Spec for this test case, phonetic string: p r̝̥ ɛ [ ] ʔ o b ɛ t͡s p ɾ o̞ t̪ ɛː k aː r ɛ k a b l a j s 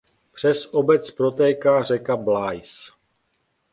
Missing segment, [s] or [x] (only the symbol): s